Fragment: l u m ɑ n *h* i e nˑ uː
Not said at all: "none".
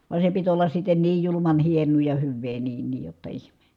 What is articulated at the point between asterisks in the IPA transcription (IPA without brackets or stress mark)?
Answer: h